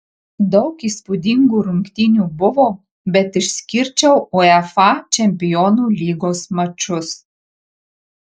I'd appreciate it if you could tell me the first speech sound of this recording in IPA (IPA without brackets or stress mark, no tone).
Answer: d̪